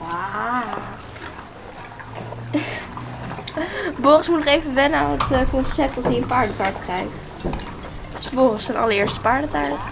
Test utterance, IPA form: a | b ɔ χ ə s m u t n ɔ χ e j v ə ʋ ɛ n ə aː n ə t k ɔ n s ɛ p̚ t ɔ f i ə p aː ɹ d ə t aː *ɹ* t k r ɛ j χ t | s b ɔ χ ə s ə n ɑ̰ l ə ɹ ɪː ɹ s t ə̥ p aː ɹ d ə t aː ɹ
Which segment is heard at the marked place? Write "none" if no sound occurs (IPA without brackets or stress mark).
ɹ